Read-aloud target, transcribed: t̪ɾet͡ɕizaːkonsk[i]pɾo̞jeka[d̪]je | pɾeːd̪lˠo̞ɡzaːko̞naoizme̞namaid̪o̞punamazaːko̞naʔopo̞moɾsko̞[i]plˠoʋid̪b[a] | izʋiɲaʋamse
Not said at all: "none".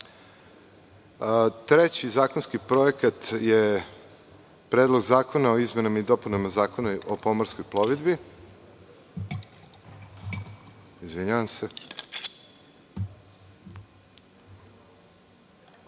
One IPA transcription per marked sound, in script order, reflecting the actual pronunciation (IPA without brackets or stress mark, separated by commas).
i, t̪, j, i